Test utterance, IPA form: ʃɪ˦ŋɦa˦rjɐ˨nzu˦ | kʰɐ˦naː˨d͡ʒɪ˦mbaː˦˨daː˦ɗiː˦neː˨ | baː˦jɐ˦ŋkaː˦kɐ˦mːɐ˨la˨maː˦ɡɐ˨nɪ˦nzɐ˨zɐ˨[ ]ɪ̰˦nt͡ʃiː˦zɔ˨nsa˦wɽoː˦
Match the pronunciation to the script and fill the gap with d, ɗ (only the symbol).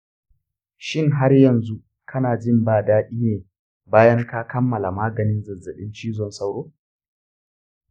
ɗ